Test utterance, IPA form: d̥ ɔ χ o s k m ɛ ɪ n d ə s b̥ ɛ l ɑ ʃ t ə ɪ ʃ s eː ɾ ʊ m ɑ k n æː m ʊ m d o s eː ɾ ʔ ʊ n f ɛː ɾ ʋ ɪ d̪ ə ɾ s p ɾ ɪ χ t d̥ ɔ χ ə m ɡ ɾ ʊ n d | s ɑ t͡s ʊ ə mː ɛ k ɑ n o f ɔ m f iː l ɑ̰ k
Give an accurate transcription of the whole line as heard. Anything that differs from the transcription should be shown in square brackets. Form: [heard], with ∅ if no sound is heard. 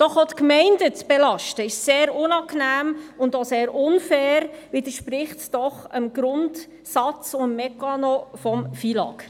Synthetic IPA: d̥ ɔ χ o [t] k m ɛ ɪ n d ə [t͡s] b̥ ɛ l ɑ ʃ t ə ɪ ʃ s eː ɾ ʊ [n] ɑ k n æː m ʊ [n] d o s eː ɾ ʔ ʊ n f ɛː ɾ ʋ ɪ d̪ ə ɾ [ʃ] p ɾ ɪ χ t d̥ ɔ χ ə m ɡ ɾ ʊ n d | s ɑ t͡s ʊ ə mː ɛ k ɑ n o f ɔ m f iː l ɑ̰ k

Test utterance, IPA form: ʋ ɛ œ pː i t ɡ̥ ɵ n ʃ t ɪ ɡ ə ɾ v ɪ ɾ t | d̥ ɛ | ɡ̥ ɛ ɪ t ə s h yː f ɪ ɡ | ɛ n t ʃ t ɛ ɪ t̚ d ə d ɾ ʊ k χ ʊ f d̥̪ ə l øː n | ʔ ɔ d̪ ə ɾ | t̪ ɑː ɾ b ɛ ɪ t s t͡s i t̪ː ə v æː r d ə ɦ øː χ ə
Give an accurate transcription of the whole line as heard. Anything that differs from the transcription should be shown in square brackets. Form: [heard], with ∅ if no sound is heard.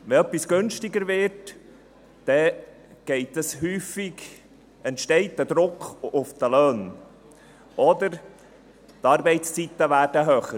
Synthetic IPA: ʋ ɛ œ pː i [s] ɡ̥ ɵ n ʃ t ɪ ɡ ə ɾ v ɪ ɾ t | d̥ ɛ | ɡ̥ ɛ ɪ t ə s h yː f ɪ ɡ | ɛ n t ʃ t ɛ ɪ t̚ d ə d ɾ ʊ k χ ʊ f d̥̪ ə l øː n | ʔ ɔ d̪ ə ɾ | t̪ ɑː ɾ b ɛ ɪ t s t͡s i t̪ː ə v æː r d ə ɦ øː χ ə

